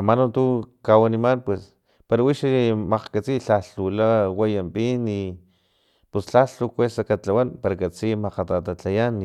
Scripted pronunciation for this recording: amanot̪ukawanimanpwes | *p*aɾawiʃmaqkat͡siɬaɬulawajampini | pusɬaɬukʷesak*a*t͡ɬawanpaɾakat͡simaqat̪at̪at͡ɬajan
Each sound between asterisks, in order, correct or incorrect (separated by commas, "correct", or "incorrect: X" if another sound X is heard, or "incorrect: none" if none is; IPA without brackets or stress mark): correct, correct